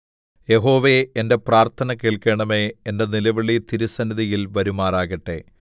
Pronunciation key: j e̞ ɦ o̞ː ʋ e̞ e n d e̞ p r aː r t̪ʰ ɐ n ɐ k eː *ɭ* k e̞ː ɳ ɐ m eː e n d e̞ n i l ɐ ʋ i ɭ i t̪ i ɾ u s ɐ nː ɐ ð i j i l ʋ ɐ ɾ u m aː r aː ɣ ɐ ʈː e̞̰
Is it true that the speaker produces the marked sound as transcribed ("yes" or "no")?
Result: yes